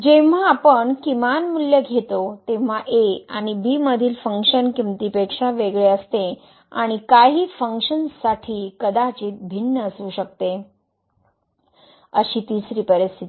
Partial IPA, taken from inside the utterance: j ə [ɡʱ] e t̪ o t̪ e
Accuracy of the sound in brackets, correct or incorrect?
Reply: correct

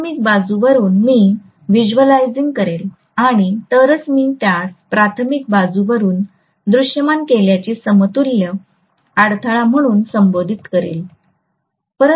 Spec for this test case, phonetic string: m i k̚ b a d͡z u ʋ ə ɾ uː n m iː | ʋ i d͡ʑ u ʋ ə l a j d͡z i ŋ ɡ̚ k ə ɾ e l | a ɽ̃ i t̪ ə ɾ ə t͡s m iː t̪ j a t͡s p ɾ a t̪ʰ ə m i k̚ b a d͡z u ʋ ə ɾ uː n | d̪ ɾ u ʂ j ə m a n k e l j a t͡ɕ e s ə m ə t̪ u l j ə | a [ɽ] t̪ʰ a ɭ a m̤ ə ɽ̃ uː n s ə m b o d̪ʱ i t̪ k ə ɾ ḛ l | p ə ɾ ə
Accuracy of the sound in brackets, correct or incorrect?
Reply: correct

